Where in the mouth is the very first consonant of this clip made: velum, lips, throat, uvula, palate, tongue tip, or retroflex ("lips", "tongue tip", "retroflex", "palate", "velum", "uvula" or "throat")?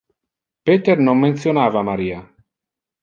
lips